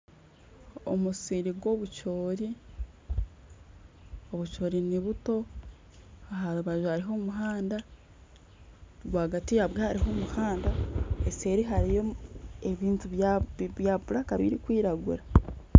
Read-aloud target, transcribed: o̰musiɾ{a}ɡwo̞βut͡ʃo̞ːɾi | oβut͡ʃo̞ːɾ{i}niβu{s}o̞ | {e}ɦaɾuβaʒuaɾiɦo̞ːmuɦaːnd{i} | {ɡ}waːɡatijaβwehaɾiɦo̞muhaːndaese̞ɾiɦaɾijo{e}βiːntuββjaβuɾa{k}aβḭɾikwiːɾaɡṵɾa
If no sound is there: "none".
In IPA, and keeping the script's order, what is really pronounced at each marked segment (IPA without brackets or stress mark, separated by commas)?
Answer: i, i, t, a, a, ɡ, e, k